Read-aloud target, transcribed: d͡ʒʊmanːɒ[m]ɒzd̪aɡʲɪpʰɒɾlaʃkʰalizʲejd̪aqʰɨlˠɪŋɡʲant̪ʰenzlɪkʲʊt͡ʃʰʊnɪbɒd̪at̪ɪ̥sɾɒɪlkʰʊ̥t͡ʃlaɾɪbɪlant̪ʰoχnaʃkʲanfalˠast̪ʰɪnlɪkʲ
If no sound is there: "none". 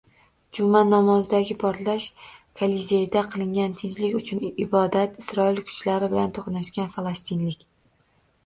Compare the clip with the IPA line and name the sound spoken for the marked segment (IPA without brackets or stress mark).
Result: m